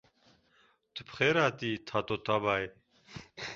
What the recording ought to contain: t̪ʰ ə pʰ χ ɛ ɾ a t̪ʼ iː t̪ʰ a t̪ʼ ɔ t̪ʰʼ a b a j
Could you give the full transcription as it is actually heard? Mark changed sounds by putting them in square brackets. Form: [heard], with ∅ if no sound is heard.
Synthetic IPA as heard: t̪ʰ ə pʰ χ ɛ ɾ a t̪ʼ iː t̪ʰ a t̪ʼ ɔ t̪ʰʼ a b a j